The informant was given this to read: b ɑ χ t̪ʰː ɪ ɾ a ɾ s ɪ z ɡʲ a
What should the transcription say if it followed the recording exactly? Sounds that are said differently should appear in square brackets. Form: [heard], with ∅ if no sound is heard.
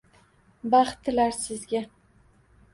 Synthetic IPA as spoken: b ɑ χ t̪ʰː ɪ [l] a ɾ s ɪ z ɡʲ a